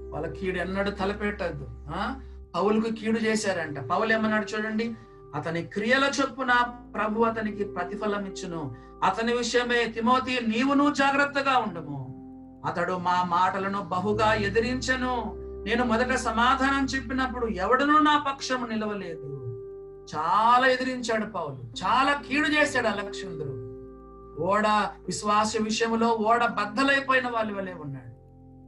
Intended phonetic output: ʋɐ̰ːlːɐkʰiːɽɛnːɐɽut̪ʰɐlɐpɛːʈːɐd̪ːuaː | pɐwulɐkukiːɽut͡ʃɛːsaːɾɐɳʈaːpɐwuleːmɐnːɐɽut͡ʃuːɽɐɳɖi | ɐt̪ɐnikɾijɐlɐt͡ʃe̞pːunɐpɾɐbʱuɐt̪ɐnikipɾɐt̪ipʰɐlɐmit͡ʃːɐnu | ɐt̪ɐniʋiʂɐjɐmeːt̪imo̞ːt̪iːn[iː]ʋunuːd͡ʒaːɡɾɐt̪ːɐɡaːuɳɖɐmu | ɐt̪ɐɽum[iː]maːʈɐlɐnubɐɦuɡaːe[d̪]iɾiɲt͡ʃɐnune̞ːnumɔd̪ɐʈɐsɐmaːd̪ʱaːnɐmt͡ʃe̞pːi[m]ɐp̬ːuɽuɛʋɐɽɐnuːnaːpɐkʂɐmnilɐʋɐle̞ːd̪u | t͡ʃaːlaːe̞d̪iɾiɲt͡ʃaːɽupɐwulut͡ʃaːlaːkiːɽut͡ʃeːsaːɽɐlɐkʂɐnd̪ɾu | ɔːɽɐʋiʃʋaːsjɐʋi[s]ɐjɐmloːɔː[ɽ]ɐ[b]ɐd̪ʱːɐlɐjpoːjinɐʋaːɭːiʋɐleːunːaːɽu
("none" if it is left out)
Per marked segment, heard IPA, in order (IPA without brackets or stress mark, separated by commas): iː, aː, d̪, n, ʂ, ɽ, b